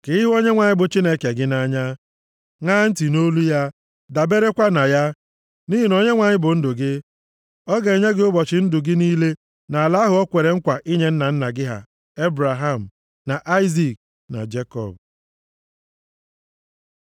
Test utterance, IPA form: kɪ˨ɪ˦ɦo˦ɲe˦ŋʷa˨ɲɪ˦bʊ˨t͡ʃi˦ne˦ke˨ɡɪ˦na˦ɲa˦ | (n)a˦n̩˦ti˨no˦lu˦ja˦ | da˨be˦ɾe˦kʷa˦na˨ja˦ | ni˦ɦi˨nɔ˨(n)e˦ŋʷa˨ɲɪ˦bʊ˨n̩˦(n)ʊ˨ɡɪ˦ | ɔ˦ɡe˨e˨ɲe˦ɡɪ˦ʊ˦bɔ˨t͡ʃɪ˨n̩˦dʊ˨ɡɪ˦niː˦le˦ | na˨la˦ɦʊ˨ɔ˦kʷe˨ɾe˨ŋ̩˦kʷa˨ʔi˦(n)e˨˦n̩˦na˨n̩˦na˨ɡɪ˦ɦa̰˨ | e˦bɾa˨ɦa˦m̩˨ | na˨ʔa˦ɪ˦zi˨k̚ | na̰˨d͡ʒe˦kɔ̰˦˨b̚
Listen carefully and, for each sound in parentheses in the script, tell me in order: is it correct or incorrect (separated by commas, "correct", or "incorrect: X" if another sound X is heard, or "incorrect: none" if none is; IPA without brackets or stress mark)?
incorrect: ŋ, incorrect: ɲ, incorrect: d, incorrect: ɲ